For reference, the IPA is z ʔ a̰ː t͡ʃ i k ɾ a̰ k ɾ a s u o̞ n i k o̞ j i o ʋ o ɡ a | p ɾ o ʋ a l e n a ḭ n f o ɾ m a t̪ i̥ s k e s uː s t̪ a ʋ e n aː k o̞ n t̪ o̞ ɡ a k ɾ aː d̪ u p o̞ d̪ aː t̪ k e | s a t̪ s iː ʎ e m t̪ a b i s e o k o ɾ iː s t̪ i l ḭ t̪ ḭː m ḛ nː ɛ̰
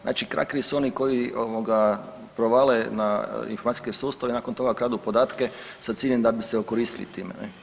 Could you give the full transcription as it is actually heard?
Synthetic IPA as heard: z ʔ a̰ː t͡ʃ i k ɾ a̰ k ɾ i s u o̞ n i k o̞ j i o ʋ o ɡ a | p ɾ o ʋ a l e n a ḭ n f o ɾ m a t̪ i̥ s k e s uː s t̪ a ʋ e n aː k o̞ n t̪ o̞ ɡ a k ɾ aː d̪ u p o̞ d̪ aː t̪ k e | s a t̪ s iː ʎ e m d̪ a b i s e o k o ɾ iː s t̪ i l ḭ t̪ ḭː m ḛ n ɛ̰